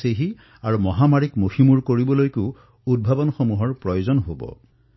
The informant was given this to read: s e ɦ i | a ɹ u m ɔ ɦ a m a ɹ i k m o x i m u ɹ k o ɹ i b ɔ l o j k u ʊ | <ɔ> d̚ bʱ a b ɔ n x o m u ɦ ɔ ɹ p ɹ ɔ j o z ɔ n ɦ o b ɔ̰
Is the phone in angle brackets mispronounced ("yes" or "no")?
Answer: yes